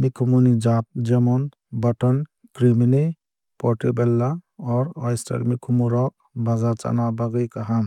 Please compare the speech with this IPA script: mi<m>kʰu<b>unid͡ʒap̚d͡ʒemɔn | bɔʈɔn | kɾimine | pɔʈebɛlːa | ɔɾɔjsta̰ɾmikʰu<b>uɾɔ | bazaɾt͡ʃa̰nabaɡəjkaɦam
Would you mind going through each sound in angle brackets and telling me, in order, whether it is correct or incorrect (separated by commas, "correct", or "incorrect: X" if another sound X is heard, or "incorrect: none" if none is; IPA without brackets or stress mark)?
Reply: incorrect: none, incorrect: m, incorrect: m